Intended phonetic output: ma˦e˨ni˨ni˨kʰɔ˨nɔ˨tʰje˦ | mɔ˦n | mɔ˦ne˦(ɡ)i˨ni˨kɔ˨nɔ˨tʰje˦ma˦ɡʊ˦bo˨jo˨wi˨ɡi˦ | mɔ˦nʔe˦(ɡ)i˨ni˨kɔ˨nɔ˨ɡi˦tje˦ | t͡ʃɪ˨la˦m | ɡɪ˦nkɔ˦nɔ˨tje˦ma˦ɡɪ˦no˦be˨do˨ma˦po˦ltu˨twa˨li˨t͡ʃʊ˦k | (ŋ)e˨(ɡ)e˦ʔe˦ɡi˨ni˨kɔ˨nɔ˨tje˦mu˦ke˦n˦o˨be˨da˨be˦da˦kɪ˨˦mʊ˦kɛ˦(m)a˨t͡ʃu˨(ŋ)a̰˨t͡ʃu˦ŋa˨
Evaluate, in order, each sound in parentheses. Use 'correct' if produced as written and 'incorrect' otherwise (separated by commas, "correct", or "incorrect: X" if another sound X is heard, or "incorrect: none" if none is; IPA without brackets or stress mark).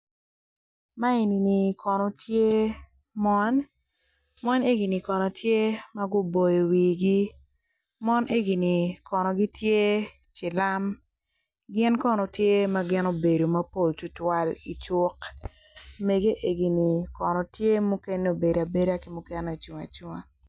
correct, correct, incorrect: m, correct, incorrect: n, correct